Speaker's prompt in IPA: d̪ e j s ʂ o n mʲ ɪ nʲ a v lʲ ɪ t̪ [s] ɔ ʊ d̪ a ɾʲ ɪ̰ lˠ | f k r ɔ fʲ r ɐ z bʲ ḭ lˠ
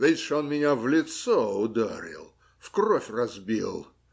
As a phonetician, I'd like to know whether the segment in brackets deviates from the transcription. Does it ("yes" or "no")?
no